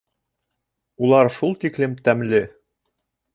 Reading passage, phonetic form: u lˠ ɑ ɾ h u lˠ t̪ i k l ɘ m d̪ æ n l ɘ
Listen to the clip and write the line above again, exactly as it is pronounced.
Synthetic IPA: u lˠ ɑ ɾ ʃ u lˠ t̪ i k l ɘ m t̪ æ m l ɘ